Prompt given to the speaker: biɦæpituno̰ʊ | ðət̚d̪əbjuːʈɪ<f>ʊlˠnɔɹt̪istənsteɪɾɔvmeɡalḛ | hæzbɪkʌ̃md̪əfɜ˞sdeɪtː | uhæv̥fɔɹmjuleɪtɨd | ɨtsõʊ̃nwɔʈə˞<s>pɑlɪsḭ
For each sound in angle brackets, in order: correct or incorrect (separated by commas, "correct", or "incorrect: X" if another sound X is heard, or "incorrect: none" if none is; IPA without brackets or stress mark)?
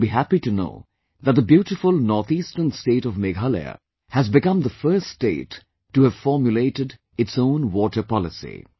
correct, incorrect: none